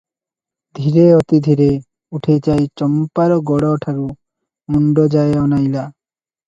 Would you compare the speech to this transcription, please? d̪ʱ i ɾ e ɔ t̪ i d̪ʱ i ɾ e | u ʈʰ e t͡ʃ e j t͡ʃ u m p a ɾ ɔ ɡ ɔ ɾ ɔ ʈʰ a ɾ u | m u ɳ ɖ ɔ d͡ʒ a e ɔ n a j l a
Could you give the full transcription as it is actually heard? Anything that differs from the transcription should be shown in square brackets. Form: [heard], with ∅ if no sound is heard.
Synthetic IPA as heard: d̪ʱ i ɾ e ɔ t̪ i d̪ʱ i ɾ e | u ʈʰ e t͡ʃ [a] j t͡ʃ [ɔ] m p a ɾ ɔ ɡ ɔ [ɽ] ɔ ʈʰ a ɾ u | m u ɳ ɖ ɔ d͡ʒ a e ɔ n a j l a